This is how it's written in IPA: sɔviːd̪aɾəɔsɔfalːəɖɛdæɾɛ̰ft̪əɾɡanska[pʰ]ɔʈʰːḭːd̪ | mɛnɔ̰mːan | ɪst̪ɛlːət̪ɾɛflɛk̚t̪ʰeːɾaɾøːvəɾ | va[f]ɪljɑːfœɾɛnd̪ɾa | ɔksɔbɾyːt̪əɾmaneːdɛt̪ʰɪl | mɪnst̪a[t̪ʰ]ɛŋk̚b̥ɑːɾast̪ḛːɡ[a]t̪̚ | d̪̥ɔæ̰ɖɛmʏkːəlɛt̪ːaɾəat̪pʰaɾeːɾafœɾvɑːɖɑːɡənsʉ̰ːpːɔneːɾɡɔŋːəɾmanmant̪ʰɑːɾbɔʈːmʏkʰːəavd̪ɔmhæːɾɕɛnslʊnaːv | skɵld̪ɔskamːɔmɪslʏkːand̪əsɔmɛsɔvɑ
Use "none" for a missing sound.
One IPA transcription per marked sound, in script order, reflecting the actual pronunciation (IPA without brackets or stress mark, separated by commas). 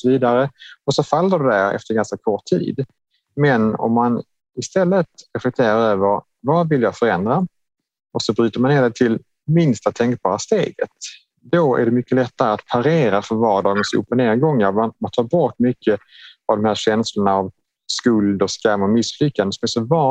kʰ, v, t̪ʰ, ə